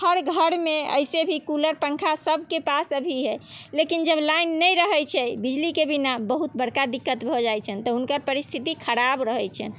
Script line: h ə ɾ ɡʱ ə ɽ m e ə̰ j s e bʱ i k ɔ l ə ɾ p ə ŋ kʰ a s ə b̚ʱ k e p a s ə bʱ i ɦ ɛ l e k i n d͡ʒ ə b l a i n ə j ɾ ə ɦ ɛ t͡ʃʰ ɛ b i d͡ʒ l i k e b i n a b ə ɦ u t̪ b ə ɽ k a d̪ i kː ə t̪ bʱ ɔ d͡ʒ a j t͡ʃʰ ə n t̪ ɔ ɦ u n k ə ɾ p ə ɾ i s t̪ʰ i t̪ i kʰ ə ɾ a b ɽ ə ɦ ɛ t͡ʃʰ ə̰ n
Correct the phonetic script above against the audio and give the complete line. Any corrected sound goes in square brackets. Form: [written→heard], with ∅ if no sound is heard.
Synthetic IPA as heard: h ə ɾ ɡʱ ə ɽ m e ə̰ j s e bʱ i k [ɔ→u] l ə ɾ p ə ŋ kʰ a s ə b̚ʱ k e p a s ə bʱ i ɦ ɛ l e k i n d͡ʒ ə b l a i [n→nː] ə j ɾ ə ɦ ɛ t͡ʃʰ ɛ b i d͡ʒ l i k e b i n a b ə ɦ u t̪ b ə ɽ k a d̪ i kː ə t̪ bʱ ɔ d͡ʒ a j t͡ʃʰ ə n t̪ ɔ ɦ u n k ə ɾ p ə ɾ i s t̪ʰ i t̪ i kʰ ə ɾ a b [ɽ→ɾ] ə ɦ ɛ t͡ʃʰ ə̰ n